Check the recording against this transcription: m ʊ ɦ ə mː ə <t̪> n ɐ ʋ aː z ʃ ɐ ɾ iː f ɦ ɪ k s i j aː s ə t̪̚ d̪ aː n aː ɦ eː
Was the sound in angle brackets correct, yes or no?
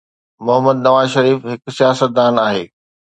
no